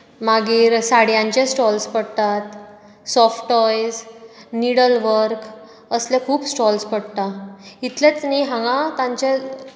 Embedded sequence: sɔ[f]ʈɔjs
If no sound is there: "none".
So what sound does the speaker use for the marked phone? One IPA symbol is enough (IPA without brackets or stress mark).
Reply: f